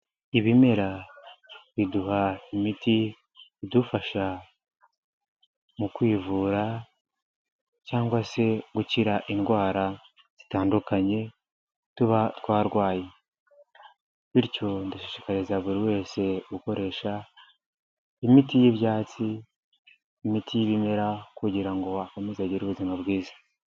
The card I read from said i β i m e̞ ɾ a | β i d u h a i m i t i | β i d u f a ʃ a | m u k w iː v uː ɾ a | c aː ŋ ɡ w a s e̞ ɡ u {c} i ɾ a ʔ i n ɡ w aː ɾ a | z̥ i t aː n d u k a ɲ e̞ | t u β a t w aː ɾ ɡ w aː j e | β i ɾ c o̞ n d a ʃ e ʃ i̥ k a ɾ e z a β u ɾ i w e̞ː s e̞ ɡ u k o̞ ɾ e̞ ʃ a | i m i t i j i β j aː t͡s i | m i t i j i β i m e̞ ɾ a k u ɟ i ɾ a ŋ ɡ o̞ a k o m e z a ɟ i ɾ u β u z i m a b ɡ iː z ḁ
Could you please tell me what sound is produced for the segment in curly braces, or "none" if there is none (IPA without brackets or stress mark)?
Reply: c